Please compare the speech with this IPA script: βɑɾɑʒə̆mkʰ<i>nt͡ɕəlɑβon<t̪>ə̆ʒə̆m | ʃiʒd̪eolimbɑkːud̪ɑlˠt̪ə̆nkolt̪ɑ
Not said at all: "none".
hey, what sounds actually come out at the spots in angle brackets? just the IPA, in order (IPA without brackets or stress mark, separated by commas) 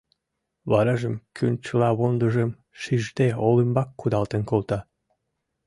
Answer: y, d̪